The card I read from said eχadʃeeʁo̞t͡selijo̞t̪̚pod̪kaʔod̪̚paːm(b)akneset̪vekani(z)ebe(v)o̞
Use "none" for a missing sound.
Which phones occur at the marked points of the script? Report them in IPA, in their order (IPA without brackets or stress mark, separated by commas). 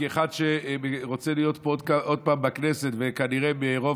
b, ʁ, ʁ